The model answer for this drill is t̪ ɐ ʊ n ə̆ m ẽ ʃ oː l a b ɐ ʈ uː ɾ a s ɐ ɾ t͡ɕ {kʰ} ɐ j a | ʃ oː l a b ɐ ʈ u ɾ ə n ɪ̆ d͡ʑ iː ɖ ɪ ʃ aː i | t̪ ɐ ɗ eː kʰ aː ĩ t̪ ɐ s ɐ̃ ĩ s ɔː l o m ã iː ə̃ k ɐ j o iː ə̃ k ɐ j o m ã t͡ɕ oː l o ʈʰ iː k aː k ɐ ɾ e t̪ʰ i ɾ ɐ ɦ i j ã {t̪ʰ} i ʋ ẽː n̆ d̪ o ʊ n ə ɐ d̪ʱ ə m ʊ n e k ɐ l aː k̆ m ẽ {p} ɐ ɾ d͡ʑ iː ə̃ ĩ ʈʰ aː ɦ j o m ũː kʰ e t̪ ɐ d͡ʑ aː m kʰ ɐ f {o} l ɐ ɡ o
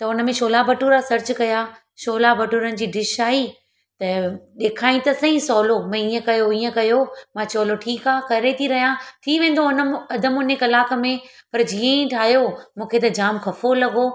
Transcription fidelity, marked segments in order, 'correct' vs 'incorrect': incorrect, correct, correct, correct

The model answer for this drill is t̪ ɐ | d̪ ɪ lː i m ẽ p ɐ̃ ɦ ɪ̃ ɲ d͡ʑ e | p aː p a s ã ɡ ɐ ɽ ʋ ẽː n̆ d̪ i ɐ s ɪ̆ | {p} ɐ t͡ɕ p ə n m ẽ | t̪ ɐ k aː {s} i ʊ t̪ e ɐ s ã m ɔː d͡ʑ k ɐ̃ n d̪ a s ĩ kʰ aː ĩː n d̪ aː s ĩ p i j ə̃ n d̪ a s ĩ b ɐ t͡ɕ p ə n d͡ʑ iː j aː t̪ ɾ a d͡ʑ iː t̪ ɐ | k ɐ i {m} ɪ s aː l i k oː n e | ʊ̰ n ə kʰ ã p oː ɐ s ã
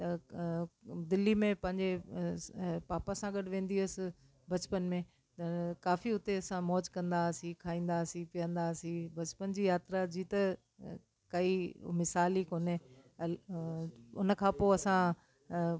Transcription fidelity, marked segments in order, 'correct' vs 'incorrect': incorrect, incorrect, correct

